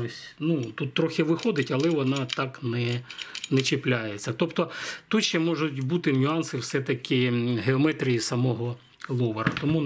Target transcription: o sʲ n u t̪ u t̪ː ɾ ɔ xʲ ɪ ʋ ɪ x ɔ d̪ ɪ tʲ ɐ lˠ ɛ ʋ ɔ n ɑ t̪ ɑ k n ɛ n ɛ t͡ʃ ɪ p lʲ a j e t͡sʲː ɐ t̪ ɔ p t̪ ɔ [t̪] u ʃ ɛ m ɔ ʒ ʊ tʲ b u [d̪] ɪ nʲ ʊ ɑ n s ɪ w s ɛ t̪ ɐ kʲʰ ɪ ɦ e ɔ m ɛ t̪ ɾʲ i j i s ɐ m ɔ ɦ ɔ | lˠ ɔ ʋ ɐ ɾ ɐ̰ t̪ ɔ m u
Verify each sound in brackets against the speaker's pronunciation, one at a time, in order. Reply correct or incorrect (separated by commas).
correct, incorrect